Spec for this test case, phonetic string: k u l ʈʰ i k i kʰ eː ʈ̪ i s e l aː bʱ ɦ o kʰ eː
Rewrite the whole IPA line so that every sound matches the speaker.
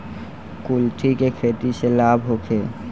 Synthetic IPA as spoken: k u l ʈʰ i k e kʰ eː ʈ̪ i s e l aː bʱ ɦ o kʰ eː